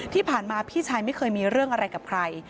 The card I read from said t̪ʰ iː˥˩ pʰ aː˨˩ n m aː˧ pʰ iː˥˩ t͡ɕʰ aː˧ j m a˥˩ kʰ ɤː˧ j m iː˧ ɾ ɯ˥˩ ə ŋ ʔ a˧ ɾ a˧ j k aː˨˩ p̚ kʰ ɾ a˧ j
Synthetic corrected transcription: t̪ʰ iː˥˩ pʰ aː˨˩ n m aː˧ pʰ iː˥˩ t͡ɕʰ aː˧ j m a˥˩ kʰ ɤː˧ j m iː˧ ɾ ɯ˥˩ ə ŋ ʔ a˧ ɾ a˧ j k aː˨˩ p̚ kʰ ɾ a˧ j